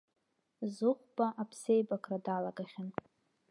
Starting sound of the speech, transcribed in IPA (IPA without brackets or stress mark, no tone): z